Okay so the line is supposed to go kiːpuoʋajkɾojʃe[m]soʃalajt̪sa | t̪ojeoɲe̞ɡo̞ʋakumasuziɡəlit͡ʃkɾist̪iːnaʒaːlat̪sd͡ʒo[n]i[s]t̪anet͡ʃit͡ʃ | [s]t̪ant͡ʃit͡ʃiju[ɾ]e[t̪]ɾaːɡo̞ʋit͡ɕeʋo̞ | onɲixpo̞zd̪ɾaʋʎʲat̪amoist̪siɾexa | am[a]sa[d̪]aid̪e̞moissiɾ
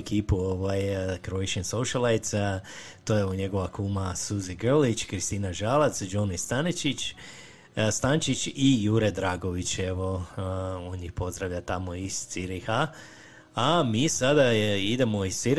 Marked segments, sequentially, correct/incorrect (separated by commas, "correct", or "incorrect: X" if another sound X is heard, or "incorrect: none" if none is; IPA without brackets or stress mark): incorrect: n, correct, correct, correct, correct, incorrect: d̪, incorrect: i, correct